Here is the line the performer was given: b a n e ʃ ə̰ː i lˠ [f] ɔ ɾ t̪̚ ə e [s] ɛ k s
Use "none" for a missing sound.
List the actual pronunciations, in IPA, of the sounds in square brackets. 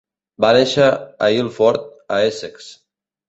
f, s

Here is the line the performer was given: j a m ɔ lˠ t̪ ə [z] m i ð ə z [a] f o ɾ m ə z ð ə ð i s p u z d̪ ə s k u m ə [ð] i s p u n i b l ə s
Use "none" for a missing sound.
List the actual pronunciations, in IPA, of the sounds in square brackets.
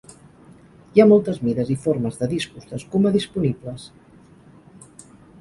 z, i, ð

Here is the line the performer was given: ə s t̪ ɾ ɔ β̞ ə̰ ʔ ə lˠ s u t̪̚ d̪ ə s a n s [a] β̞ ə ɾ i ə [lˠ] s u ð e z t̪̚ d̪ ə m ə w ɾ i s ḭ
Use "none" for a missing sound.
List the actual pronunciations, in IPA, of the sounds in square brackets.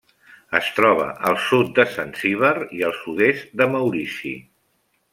i, lˠ

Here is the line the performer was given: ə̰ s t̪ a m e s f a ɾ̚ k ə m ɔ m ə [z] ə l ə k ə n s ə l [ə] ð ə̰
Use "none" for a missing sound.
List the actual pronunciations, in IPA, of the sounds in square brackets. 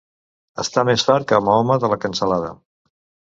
ð, a

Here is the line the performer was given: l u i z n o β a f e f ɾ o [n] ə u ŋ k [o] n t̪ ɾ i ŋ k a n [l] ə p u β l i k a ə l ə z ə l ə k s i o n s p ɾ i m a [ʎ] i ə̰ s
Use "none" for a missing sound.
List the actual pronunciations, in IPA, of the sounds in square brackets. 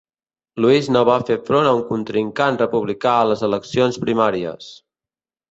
n, u, r, ɾ

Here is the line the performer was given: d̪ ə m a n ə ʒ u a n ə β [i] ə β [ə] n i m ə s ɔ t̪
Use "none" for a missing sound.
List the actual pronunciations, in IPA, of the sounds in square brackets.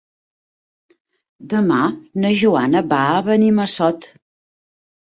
a, ə

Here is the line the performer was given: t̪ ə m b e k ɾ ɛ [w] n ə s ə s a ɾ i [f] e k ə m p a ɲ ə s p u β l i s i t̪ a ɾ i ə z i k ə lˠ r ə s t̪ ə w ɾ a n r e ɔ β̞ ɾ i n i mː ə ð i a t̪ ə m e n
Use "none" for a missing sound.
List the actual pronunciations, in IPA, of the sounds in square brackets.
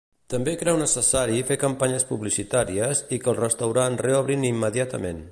w, f

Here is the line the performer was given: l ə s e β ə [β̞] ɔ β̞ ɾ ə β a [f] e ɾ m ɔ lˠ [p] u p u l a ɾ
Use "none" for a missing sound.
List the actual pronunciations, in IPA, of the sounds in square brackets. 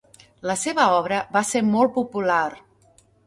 none, s, p

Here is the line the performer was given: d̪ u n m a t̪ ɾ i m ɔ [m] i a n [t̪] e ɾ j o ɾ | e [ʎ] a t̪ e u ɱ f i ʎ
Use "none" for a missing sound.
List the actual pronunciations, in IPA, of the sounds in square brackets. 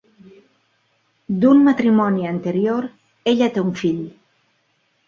n, t̪, ʎ

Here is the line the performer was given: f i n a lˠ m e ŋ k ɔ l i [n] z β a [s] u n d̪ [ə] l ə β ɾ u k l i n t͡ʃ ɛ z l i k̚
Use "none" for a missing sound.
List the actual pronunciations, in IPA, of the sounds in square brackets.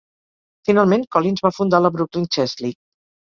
n, f, a

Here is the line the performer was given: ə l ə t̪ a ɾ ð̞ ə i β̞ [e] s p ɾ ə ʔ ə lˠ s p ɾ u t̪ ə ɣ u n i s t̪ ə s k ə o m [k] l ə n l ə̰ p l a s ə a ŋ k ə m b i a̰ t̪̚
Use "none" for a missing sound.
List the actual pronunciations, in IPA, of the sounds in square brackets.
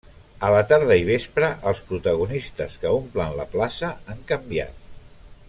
e, p

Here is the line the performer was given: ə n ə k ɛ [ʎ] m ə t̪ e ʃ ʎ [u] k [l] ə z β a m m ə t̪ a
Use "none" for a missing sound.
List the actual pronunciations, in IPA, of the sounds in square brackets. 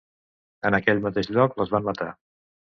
ʎ, ɔ, l

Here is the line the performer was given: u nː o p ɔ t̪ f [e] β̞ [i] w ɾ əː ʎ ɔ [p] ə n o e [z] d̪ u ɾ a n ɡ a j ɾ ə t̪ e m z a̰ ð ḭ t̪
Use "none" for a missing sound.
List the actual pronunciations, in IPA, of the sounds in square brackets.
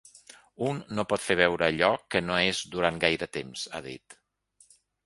e, ɛ, k, z

